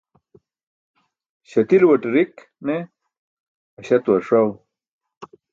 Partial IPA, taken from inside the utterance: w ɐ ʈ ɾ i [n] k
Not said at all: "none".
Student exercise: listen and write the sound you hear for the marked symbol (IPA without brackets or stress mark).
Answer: none